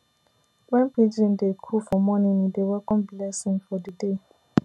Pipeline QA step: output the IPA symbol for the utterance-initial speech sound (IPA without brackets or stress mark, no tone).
w